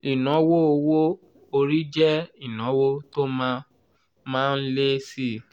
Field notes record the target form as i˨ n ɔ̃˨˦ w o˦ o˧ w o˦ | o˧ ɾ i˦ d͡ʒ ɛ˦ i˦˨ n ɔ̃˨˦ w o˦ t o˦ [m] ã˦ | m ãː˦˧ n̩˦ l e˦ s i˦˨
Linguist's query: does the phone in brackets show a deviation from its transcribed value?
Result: no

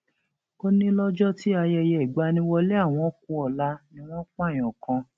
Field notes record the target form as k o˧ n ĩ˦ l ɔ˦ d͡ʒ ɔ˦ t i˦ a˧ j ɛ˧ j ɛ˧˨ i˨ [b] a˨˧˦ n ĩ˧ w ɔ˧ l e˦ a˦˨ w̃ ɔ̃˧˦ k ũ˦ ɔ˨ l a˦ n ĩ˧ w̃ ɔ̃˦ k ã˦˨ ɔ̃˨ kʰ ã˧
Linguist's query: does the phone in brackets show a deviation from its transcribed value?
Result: yes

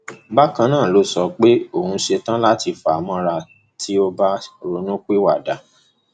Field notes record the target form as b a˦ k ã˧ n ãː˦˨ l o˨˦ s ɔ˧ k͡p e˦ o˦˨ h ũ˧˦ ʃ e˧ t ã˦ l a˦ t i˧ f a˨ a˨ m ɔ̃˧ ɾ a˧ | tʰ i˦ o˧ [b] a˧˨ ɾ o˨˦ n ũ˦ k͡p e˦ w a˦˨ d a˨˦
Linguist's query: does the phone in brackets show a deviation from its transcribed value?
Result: no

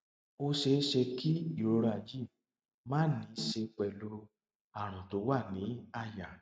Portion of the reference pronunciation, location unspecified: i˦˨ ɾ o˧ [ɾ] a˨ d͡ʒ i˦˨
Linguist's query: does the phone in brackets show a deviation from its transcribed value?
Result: no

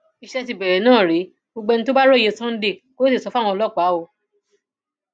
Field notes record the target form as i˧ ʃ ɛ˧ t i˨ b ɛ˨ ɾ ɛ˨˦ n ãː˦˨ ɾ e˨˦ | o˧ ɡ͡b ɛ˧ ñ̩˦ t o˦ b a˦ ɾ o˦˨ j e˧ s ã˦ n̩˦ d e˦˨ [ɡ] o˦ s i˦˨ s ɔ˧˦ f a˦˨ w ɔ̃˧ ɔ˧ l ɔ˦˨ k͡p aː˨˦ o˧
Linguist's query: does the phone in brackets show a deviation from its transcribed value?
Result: yes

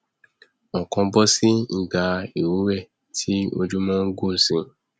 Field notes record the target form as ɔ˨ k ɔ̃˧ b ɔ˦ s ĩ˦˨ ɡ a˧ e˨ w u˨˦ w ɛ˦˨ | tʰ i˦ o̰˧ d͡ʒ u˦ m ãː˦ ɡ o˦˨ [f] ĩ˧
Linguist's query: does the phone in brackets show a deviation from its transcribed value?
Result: yes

